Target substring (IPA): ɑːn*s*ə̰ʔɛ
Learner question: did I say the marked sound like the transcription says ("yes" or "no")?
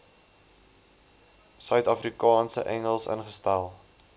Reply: yes